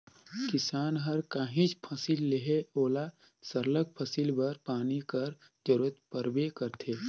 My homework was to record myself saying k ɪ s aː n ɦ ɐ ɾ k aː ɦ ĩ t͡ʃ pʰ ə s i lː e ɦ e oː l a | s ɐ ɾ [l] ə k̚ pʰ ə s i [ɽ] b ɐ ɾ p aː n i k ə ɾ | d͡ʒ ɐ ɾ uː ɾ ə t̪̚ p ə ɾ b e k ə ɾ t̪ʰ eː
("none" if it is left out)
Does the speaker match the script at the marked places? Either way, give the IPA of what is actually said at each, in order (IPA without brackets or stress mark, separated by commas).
l, l